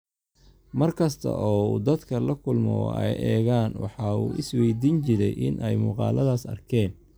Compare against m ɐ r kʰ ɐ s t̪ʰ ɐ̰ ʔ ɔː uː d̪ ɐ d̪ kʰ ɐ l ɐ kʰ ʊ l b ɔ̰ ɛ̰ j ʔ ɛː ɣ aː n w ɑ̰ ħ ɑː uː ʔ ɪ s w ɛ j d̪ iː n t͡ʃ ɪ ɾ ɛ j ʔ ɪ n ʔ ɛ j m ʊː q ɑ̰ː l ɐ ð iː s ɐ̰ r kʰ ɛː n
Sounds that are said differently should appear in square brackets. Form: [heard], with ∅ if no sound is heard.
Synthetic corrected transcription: m ɐ r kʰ ɐ s t̪ʰ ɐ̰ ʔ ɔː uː d̪ ɐ d̪ kʰ ɐ l ɐ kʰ ʊ l [m] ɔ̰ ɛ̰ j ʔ ɛː ɣ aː n w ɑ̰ ħ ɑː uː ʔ ɪ s w ɛ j d̪ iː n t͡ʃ ɪ ɾ ɛ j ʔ ɪ n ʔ ɛ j m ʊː q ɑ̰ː l ɐ ð [aː] s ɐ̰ r kʰ ɛː n